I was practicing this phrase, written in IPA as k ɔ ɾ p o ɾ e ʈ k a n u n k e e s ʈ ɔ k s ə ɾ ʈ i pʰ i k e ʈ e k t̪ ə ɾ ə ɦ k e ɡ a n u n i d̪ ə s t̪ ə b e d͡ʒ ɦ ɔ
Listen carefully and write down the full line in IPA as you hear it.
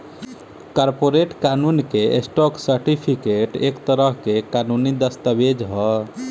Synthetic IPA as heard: k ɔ ɾ p o ɾ e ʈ k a n u n k e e s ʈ ɔ k s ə ɾ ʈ i pʰ i k e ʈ e k t̪ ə ɾ ə ɦ k e k a n u n i d̪ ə s t̪ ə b e d͡ʒ ɦ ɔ